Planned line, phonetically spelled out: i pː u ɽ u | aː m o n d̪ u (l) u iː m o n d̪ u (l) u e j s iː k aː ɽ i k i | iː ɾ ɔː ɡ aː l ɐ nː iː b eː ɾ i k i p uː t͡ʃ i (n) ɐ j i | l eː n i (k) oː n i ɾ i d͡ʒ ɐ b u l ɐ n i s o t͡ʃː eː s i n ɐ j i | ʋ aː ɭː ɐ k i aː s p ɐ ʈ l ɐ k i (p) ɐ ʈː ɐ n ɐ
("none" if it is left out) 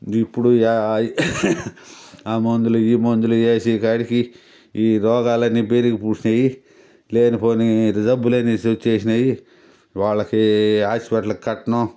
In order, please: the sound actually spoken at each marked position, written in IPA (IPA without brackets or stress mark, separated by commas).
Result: l, l, n, p, k